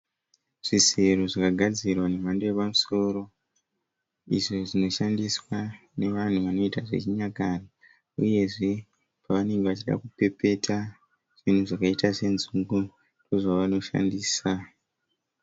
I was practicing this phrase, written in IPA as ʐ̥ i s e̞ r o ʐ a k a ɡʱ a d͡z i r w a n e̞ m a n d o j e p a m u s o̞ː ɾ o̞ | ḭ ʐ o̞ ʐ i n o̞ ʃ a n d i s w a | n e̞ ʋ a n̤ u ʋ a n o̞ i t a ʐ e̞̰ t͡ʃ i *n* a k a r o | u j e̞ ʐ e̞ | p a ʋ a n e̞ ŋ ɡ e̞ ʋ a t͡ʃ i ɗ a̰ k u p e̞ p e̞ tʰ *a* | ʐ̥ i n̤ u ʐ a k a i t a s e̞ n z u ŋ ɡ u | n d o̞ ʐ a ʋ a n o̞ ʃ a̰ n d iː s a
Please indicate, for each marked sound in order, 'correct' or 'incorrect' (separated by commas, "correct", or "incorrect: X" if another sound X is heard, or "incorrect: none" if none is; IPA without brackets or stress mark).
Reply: incorrect: ɲ, correct